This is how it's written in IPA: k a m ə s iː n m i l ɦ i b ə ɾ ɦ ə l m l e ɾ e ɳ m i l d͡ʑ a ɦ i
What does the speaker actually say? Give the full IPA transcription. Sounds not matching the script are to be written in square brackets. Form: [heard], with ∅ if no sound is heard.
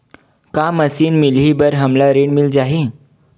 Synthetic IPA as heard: k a m ə s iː n m i l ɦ i b ə ɾ ɦ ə [∅] m l [a] ɾ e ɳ m i l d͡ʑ a ɦ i